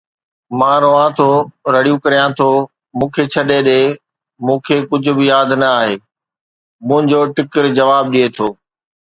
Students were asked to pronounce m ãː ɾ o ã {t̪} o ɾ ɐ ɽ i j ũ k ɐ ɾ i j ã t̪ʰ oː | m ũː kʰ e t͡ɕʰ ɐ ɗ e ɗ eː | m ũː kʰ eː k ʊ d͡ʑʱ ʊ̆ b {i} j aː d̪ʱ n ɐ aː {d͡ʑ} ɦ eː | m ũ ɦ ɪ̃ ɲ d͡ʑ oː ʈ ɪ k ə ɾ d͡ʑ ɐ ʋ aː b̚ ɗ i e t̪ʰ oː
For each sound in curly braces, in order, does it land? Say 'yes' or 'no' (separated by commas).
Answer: no, no, no